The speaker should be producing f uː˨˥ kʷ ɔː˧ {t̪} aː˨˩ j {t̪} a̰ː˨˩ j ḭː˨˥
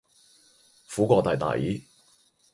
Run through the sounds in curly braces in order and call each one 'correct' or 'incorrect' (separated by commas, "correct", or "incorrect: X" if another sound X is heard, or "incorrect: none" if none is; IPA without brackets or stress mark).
correct, correct